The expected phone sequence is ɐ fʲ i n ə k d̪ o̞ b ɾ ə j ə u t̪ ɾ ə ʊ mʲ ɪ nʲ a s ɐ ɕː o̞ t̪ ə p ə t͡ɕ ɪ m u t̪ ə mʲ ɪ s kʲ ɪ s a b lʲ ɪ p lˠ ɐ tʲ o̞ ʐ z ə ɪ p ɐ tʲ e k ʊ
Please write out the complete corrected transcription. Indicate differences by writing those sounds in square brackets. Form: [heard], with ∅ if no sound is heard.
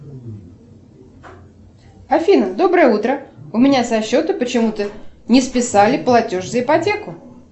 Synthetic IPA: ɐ fʲ i n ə [∅] d̪ o̞ b ɾ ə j ə u t̪ ɾ ə ʊ mʲ ɪ nʲ a s ɐ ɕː o̞ t̪ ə p ə t͡ɕ ɪ m u t̪ ə [nʲ] ɪ s [pʲ] ɪ s a [∅] lʲ ɪ p lˠ ɐ tʲ o̞ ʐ z ə ɪ p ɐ tʲ e k ʊ